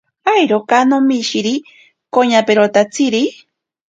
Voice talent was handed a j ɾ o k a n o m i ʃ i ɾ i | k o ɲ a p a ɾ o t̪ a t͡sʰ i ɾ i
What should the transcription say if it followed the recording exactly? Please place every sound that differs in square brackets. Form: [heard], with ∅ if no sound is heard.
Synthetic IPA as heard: a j ɾ o k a n o m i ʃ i ɾ i | k o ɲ a p [e] ɾ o t̪ a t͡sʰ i ɾ i